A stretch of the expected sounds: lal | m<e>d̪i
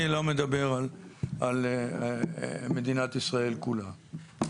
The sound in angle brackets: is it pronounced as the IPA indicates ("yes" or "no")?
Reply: yes